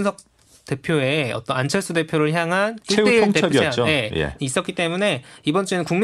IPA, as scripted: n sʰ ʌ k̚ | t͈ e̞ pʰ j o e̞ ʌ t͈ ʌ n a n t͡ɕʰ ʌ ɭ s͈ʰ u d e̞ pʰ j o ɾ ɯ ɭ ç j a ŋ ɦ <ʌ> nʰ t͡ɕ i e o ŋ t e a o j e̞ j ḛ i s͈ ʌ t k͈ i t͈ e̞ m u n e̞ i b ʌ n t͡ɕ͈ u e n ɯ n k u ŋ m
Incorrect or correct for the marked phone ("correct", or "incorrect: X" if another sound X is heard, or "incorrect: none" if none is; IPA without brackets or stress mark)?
incorrect: a